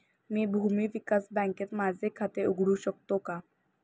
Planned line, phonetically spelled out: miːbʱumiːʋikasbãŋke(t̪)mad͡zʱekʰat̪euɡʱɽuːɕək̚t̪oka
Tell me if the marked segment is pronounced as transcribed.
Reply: yes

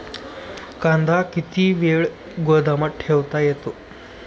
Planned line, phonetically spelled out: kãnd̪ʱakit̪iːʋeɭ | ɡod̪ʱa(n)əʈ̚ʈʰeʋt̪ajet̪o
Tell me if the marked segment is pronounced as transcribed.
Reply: no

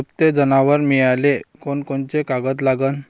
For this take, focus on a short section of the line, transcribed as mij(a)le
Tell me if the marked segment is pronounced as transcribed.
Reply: yes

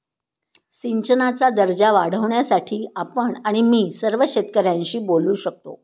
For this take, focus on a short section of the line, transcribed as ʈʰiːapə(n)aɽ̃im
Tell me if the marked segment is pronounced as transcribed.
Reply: no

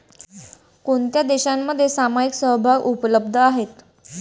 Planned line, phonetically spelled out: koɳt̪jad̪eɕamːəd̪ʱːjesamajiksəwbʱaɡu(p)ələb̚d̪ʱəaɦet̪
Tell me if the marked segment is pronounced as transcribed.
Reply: yes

